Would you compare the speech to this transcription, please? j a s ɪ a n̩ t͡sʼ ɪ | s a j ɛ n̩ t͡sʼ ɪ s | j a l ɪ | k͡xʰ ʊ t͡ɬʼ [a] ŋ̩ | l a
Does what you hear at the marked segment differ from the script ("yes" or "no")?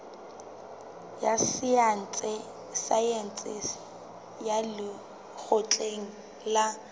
yes